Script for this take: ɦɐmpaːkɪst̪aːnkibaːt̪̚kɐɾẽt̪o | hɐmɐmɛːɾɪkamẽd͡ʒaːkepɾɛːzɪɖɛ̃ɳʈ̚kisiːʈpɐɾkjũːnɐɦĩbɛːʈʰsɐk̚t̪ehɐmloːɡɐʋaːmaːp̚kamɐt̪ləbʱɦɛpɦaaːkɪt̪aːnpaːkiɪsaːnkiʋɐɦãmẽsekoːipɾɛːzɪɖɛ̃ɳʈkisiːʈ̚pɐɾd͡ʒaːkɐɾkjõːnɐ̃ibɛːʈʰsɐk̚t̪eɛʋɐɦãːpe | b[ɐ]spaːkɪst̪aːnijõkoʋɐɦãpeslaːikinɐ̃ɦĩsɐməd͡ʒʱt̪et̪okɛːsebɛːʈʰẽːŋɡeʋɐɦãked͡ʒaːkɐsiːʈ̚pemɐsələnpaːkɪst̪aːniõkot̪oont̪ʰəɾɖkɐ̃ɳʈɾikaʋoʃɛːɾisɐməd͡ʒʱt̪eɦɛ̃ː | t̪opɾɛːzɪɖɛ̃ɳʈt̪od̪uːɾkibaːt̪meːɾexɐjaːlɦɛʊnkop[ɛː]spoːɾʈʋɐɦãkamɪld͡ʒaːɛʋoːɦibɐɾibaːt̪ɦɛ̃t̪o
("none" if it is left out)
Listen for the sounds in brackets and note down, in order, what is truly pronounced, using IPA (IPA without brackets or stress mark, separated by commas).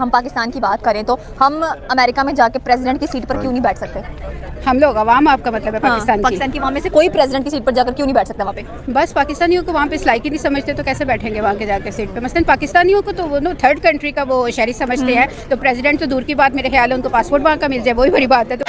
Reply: ɐ, aː